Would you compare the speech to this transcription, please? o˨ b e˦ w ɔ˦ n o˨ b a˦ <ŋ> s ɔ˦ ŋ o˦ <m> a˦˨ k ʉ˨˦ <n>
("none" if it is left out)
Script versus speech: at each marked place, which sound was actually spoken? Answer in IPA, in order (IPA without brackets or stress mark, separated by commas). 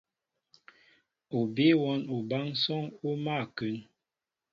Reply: ŋ, m, n